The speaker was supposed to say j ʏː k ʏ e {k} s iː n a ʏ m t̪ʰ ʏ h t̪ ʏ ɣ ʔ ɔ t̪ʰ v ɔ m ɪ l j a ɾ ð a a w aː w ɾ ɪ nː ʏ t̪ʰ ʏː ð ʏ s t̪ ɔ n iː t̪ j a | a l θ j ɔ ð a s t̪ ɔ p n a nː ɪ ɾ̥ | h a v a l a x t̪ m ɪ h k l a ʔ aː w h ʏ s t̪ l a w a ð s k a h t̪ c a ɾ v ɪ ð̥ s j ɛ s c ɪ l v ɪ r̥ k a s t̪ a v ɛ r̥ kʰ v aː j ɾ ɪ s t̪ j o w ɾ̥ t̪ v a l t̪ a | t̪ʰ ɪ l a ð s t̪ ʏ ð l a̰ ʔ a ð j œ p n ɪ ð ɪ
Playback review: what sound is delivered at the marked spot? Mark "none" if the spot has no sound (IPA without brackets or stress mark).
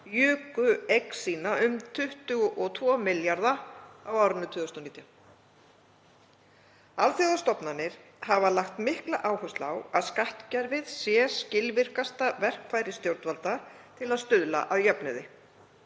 k